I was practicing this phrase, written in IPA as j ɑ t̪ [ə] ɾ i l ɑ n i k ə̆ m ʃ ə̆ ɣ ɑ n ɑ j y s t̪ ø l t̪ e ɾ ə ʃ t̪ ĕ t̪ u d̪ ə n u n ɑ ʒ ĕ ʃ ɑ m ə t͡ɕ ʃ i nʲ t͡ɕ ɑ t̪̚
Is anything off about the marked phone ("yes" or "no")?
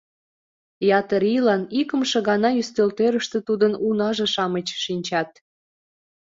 no